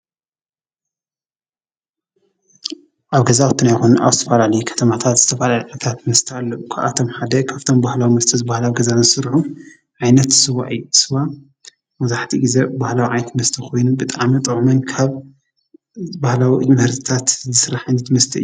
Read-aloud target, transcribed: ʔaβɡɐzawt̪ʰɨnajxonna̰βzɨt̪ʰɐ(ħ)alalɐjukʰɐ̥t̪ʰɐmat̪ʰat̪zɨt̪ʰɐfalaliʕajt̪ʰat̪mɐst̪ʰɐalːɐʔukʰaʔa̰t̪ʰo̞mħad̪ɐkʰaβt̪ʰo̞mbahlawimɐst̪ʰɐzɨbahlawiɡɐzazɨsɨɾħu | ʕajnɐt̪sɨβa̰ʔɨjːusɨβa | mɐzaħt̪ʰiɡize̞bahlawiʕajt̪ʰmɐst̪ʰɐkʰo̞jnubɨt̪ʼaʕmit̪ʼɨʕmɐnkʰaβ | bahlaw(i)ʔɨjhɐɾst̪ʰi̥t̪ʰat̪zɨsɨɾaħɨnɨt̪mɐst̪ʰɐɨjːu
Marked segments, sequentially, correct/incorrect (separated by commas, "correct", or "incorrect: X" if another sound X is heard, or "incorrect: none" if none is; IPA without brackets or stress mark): incorrect: f, correct